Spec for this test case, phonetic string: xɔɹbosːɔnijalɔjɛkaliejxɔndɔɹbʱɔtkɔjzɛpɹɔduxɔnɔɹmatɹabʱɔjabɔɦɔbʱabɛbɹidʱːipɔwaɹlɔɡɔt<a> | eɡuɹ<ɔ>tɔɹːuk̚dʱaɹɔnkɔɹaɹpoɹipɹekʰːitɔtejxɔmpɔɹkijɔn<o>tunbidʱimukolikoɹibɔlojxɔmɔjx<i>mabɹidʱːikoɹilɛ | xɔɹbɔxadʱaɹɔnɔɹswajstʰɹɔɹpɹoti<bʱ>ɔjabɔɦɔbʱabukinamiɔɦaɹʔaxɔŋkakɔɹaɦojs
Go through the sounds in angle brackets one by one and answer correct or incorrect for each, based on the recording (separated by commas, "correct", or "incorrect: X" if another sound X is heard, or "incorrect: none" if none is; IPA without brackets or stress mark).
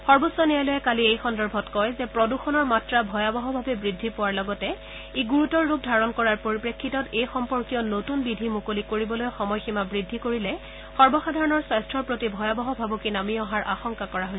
incorrect: ɛ, incorrect: u, correct, correct, correct